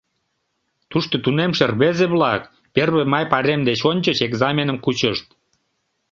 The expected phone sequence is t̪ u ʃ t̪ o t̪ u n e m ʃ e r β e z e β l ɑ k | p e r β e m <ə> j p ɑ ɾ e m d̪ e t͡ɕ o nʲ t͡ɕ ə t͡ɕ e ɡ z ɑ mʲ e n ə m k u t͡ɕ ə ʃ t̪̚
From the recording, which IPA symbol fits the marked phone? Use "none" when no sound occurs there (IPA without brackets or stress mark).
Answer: ɑ